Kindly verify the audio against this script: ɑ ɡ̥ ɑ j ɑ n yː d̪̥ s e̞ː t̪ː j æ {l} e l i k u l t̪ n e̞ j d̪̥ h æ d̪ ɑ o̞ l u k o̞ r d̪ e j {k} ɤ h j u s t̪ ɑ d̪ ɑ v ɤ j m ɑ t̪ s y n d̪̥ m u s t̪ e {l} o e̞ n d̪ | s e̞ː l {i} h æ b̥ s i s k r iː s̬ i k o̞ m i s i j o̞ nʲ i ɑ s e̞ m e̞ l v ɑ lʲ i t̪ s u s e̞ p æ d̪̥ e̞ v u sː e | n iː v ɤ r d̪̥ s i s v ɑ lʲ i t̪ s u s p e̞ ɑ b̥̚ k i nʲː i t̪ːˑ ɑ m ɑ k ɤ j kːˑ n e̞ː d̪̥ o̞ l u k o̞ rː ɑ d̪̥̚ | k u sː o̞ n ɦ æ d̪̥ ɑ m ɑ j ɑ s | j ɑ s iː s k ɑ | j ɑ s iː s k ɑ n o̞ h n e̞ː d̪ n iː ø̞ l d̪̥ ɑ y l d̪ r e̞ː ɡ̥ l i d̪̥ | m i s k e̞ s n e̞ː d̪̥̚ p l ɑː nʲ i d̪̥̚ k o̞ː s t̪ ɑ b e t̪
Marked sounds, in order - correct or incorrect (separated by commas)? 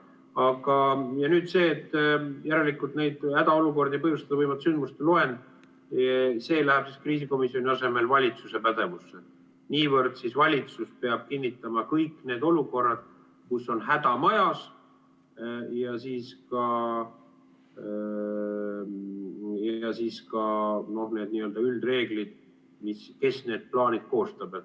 incorrect, incorrect, correct, incorrect